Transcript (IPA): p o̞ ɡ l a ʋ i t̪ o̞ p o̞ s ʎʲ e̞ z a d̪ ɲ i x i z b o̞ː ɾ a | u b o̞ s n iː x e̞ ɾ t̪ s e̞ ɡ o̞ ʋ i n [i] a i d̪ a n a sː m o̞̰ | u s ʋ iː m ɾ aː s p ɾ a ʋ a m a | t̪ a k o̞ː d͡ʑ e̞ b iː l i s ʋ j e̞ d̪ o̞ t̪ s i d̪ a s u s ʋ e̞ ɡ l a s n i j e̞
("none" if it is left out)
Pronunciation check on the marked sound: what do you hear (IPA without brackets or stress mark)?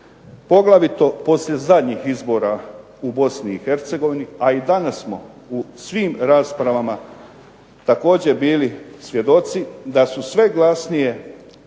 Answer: i